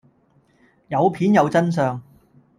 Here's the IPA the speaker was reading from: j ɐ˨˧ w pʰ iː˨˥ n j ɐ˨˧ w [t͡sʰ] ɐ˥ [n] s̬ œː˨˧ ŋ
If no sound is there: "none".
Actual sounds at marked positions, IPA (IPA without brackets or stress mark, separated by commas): t͡s, n